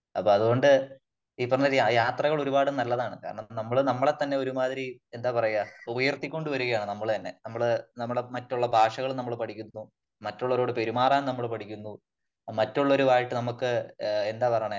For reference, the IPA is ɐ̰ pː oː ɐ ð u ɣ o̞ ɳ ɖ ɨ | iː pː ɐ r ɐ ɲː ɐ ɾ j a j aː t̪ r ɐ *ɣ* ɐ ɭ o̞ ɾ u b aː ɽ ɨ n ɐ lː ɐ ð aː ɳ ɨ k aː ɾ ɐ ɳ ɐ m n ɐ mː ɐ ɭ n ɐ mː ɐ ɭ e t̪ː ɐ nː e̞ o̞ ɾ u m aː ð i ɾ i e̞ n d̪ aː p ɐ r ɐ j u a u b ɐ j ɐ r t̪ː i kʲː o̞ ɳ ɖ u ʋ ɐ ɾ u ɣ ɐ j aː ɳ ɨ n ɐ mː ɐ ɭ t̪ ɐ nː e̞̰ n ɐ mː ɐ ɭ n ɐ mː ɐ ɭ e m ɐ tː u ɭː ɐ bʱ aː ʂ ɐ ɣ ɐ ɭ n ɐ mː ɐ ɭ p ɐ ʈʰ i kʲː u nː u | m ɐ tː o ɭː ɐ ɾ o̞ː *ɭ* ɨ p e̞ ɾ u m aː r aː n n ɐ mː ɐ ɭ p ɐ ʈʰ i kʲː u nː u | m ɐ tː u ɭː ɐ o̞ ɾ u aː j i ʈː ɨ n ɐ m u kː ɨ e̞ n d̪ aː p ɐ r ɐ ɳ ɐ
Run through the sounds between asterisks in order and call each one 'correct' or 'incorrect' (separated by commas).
correct, incorrect